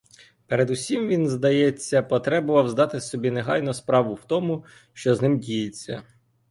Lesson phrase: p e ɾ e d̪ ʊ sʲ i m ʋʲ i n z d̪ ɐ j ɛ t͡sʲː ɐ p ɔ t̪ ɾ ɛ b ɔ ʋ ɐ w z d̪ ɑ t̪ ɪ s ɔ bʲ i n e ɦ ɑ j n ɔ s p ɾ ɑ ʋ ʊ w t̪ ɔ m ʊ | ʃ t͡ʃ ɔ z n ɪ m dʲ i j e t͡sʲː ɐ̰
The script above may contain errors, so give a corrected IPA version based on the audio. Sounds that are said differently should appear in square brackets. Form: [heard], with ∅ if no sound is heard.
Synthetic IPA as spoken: p e ɾ e d̪ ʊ sʲ i m ʋʲ i n z d̪ ɐ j ɛ t͡sʲː ɐ p ɔ t̪ ɾ ɛ b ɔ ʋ ɐ w z d̪ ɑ t̪ ɪ s ɔ bʲ i n e ɦ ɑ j n ɔ s p ɾ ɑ ʋ ʊ w t̪ ɔ m ʊ | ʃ t͡ʃ ɔ z n ɪ m dʲ i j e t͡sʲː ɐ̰